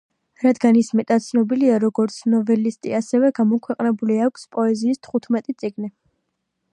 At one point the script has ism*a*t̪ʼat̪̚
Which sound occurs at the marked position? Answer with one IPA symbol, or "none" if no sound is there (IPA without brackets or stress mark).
ɛ